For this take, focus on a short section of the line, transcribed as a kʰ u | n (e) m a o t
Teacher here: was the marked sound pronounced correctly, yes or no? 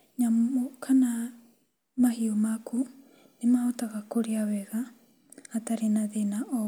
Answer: yes